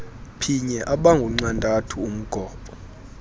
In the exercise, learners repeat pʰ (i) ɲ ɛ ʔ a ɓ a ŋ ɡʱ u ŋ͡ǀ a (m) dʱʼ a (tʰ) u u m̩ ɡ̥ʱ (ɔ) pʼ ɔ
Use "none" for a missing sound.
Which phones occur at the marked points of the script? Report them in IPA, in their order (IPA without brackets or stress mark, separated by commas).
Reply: i, n, tʰ, ɔː